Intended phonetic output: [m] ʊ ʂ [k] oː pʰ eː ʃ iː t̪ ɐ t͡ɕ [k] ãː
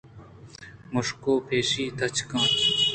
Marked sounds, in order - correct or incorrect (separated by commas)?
correct, correct, correct